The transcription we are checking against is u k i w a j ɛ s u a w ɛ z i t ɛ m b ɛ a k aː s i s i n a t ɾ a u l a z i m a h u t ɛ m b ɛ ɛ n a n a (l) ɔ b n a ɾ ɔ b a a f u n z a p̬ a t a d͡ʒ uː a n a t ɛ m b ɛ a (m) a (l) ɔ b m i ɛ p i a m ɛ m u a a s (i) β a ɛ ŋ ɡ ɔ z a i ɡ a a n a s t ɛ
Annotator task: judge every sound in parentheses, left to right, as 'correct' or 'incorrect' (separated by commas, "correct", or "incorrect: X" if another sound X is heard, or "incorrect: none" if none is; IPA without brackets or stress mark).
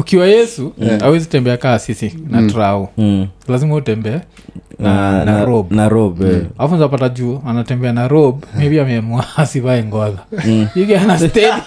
incorrect: ɾ, incorrect: n, incorrect: ɾ, correct